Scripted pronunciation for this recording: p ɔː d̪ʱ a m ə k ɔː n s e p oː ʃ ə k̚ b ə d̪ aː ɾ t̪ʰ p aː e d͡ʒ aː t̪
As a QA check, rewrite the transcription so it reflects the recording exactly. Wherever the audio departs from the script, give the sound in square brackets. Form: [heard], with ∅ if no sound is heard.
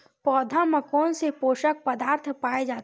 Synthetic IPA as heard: p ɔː d̪ʱ a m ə k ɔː n s e p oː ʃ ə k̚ [p] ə d̪ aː ɾ t̪ʰ p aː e d͡ʒ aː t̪